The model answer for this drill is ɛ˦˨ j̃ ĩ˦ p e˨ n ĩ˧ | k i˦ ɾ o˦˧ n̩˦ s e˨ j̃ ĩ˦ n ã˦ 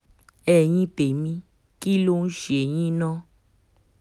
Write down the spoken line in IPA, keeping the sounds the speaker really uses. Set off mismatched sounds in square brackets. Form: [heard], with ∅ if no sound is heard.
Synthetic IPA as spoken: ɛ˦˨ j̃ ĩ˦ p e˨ [m] ĩ˧ | k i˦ [l] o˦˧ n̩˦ [ʃ] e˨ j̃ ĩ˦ n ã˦